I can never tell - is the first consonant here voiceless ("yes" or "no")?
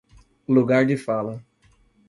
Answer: no